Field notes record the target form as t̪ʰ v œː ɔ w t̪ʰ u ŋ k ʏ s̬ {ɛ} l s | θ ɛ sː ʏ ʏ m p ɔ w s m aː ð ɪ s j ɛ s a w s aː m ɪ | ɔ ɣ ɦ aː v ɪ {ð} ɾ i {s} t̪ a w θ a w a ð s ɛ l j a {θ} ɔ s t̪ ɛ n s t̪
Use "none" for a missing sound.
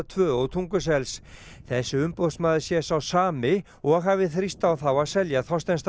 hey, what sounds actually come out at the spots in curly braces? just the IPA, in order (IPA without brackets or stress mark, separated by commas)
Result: ɛ, θ, s, θ